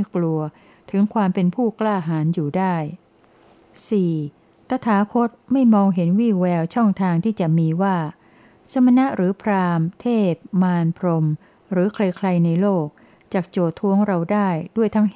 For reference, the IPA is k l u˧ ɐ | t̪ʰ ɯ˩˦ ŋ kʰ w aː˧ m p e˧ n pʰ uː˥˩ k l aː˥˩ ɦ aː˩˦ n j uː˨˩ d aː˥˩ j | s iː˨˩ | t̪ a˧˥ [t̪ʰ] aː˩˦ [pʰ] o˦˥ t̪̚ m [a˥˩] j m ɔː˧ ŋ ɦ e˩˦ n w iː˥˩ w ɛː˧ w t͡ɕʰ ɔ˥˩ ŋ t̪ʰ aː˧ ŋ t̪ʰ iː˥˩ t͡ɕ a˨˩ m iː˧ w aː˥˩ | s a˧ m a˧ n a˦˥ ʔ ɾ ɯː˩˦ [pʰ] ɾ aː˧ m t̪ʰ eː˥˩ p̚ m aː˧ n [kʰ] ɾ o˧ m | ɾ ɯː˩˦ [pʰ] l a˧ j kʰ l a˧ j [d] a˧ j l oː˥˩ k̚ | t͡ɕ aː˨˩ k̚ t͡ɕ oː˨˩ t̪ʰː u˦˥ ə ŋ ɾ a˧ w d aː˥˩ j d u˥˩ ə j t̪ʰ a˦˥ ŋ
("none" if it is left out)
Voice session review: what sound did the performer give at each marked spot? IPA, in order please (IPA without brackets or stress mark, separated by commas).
t̪ʰ, kʰ, a˥˩, pʰ, pʰ, kʰ, n